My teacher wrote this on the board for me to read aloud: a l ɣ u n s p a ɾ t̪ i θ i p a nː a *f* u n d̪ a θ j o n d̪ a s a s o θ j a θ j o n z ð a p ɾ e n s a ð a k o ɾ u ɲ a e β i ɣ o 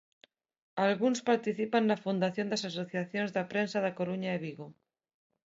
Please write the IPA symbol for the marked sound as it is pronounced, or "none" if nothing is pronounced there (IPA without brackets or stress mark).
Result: f